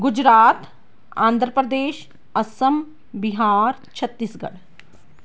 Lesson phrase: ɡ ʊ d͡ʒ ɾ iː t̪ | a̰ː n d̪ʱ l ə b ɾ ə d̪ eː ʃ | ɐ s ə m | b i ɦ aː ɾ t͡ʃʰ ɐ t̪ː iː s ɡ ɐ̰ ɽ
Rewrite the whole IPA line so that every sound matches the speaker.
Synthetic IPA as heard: ɡ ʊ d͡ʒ ɾ aː t̪ | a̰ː n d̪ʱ ɾ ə p ɾ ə d̪ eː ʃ | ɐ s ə m | b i ɦ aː ɾ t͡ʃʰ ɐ t̪ː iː s ɡ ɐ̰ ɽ

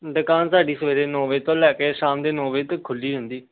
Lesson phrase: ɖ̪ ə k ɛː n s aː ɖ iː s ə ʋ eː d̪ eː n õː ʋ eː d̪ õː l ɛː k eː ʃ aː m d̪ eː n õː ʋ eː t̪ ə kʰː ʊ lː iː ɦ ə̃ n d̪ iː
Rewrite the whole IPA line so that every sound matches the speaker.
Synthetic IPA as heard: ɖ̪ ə k aː n s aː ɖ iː s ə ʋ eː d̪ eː n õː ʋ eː t̪ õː l ɛː k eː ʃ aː m d̪ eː n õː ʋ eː t̪ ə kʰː ʊ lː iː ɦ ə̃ n d̪ iː

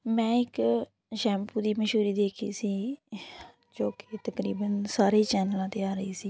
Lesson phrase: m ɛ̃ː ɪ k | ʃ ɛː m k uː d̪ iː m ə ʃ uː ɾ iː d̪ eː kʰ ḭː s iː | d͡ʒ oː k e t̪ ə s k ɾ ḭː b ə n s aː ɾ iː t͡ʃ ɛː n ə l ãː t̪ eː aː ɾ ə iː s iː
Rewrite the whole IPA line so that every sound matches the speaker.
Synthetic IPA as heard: m ɛ̃ː ɪ k | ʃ ɛː m p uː d̪ iː m ə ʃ uː ɾ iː d̪ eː kʰ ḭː s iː | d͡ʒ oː k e t̪ ə k ɾ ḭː b ə n s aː ɾ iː t͡ʃ ɛː n ə l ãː t̪ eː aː ɾ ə iː s iː

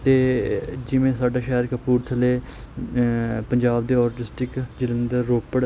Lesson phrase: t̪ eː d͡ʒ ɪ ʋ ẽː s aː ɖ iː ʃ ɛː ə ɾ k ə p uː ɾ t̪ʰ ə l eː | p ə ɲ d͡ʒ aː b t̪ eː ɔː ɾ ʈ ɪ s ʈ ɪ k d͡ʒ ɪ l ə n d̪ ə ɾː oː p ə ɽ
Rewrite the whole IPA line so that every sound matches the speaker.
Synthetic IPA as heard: t̪ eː d͡ʒ ɪ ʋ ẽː s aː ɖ aː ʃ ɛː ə ɾ k ə p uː ɾ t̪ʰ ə l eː | p ə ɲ d͡ʒ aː b d̪ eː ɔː ɾ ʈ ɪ s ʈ ɪ k d͡ʒ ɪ l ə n d̪ ə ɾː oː p ə ɽ

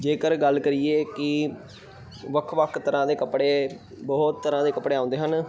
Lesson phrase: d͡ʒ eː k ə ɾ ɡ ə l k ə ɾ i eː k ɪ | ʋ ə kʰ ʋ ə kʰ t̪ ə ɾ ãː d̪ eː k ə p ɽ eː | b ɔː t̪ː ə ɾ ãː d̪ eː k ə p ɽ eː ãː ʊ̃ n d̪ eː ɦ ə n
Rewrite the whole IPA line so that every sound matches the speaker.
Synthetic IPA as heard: d͡ʒ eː k ə ɾ ɡ ə l k ə ɾ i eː k ɪ | ʋ ə kʰ ʋ ə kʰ t̪ ə ɾ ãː d̪ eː k ə p ɽ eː | b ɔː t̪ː ə ɾ ãː d̪ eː k ə p ɽ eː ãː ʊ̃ n d̪ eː ɦ ə n

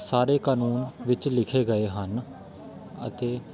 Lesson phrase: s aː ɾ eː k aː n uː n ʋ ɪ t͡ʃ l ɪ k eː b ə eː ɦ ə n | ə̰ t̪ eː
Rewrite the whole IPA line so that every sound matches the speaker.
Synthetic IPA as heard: s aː ɾ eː k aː n uː n ʋ ɪ t͡ʃ l ɪ kʰ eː ɡ ə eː ɦ ə n | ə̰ t̪ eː

